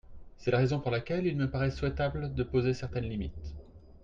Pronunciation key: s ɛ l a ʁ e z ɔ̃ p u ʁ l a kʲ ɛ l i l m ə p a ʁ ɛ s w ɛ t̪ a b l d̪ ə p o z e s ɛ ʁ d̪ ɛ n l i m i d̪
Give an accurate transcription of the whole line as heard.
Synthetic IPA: s ɛ l a ʁ e z ɔ̃ p u ʁ l a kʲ ɛ l i l m ə p a ʁ ɛ s w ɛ t̪ a b l d̪ ə p o z e s ɛ ʁ t̪ ɛ n l i m i t̪